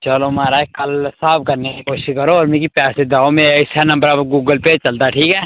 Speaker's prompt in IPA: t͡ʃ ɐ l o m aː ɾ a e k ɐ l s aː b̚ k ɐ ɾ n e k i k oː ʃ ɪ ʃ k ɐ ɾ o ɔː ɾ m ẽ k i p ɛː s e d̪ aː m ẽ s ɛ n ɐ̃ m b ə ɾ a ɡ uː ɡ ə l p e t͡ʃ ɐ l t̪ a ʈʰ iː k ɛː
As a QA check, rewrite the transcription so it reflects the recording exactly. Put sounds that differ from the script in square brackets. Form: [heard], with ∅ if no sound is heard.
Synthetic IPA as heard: t͡ʃ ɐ l o m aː ɾ a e k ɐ l s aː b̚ k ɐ ɾ n e k i k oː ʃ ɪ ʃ k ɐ ɾ o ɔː ɾ m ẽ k i p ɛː s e d̪ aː m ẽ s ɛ n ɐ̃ m b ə ɾ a ɡ uː ɡ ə l p e t͡ʃ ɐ l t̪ a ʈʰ iː k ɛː